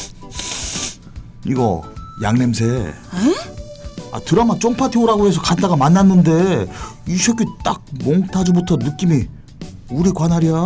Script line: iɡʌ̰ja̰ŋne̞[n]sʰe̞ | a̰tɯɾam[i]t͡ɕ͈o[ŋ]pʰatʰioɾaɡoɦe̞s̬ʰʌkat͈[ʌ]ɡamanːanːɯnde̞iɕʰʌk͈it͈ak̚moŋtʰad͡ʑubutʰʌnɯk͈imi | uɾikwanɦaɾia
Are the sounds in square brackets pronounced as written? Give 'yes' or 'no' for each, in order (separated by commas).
no, no, yes, no